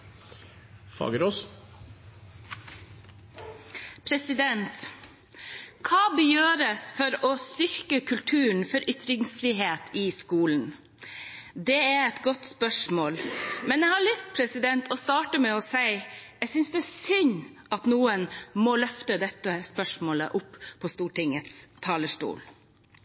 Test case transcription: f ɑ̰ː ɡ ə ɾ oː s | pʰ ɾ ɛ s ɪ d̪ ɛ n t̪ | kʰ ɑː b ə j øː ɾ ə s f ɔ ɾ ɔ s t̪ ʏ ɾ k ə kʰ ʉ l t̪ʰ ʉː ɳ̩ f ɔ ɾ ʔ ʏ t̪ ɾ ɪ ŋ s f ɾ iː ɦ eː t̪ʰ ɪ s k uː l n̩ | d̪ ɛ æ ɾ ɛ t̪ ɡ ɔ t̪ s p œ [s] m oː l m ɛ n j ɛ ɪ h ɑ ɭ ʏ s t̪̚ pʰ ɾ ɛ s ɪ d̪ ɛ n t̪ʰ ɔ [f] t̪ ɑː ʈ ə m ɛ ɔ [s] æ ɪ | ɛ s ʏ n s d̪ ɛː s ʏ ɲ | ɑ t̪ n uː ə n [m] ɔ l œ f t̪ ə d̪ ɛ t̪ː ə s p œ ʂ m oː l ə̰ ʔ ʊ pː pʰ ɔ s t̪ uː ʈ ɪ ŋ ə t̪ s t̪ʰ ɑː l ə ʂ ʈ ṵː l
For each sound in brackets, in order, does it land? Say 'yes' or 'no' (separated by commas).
no, no, yes, yes